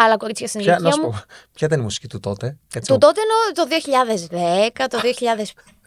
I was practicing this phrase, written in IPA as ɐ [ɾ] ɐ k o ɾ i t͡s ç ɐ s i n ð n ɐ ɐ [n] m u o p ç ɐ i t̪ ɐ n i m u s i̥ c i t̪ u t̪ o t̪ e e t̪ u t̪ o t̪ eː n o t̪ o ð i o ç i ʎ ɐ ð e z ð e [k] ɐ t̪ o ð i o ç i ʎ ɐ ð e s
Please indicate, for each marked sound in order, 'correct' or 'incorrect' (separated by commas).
incorrect, incorrect, correct